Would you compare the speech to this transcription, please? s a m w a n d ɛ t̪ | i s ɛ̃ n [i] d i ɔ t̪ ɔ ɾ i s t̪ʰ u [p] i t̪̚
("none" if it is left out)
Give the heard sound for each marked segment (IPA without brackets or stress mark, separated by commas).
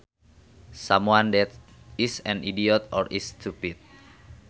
i, p